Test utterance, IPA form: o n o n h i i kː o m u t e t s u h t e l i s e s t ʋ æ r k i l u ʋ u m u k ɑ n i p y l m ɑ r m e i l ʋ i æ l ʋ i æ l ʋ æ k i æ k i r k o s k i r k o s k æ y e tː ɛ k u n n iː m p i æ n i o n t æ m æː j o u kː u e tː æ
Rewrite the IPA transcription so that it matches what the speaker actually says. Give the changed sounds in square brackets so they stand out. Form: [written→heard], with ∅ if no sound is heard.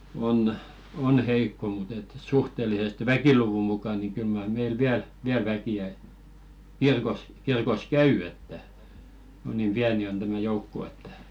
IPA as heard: o n o n h [i→e] i kː o m u t e t s u h t e l i s e s t ʋ æ [r→∅] k i l u ʋ u m u k ɑ n i [p→k] y l m ɑ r m e i l ʋ i æ l ʋ i æ l ʋ æ k i æ k i r k o s k i r k o s k æ y e tː [ɛ→æ] k u n n iː m p i æ n i o n t æ m [æː→æ] j o u kː [u→o] e tː æ